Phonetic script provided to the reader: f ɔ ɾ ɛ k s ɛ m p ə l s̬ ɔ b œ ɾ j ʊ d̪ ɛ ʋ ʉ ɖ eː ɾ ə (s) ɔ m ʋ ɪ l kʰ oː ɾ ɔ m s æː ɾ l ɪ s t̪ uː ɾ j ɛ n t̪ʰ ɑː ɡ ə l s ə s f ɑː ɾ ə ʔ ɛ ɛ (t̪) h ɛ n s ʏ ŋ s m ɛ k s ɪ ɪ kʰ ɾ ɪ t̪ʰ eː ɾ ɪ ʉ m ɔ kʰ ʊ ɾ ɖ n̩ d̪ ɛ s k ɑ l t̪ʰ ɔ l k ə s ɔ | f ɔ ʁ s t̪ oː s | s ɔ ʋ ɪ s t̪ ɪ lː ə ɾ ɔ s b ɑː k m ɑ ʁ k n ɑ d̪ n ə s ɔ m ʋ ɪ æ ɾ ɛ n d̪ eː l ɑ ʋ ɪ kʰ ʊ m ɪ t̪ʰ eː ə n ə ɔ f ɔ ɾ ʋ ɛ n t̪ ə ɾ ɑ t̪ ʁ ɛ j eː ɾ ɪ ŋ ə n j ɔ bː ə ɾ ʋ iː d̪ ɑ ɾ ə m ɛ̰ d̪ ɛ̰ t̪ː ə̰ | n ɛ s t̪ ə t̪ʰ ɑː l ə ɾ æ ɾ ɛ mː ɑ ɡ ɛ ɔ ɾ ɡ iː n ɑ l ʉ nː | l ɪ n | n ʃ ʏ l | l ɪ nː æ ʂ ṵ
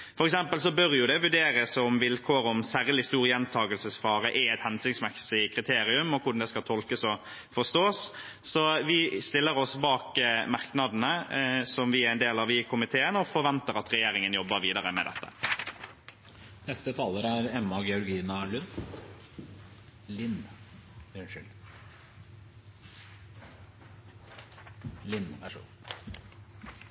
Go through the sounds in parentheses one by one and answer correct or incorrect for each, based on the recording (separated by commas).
correct, correct